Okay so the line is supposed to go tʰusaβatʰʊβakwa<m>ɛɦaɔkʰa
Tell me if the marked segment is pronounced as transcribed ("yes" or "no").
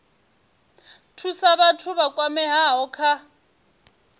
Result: yes